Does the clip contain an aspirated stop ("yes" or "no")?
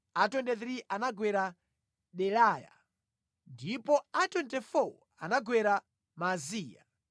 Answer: no